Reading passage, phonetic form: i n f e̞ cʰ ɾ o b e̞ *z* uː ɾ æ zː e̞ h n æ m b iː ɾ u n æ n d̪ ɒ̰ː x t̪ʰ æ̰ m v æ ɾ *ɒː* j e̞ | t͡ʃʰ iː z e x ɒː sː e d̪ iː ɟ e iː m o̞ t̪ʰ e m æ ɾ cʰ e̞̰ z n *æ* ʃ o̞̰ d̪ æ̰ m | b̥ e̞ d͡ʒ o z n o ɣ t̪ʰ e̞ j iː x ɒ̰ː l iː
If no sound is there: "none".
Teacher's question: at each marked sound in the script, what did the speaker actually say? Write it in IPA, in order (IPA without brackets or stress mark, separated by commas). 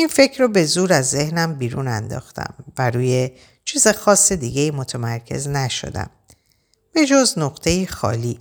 z, uː, æ